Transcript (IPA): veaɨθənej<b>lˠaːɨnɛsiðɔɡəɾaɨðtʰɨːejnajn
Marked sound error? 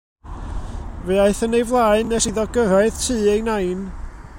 yes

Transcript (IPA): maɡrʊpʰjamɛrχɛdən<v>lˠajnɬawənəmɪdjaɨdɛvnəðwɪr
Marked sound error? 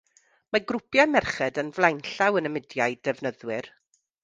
no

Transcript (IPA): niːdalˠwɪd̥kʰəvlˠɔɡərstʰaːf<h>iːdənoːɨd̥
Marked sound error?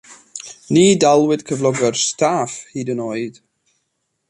no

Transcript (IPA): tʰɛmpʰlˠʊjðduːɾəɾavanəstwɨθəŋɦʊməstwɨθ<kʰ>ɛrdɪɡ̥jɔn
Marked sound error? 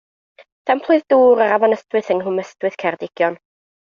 no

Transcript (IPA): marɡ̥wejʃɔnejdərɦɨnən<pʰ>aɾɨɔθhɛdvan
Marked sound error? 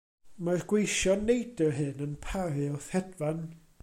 no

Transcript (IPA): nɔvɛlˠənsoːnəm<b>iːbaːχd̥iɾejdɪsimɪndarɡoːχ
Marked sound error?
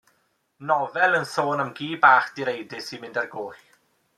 yes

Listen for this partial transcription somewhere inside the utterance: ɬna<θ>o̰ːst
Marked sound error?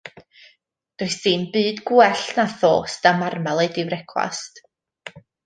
no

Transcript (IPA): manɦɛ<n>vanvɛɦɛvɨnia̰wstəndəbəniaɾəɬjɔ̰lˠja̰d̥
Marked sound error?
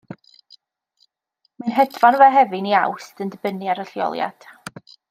yes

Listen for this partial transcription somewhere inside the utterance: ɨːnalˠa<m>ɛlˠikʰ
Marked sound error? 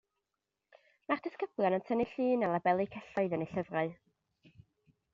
yes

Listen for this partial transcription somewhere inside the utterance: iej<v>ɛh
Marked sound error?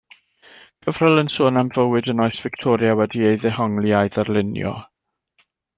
yes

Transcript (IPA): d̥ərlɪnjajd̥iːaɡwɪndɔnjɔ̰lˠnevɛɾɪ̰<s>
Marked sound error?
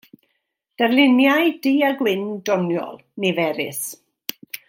no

